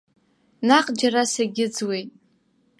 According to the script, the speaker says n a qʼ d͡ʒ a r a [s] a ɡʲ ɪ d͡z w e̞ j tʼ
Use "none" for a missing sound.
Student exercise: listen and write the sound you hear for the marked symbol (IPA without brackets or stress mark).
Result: s